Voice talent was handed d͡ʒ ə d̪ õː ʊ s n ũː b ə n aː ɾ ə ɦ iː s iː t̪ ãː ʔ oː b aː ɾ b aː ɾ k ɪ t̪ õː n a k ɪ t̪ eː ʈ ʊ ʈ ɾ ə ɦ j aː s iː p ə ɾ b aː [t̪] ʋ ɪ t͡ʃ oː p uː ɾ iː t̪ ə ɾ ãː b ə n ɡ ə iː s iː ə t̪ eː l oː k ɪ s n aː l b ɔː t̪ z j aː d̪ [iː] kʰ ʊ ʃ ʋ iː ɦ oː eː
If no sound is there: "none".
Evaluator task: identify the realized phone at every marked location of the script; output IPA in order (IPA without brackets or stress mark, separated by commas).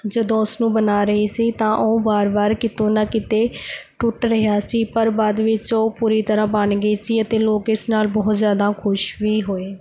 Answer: d̪, aː